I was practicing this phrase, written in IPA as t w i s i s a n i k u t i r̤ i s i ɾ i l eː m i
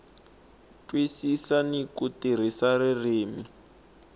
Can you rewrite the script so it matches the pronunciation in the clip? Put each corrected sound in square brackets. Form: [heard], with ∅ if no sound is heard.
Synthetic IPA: t w i s i s a n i k u t i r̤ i s [a] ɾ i [r] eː m i